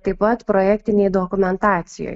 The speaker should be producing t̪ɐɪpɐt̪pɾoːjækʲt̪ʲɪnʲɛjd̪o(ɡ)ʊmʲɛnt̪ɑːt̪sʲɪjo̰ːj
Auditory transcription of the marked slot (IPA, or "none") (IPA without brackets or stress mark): k